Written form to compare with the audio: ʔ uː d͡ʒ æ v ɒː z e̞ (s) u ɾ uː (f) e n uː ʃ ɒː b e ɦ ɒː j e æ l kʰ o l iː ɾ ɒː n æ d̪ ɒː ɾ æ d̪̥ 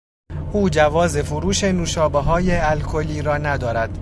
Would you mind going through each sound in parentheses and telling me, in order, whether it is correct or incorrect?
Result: incorrect: f, incorrect: ʃ

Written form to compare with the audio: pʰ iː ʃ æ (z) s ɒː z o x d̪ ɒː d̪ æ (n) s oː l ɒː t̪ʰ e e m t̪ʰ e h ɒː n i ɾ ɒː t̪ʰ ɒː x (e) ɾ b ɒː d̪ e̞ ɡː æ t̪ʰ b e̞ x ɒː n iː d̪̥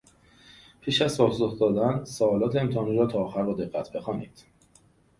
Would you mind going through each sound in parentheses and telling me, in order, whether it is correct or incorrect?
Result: correct, correct, incorrect: æ

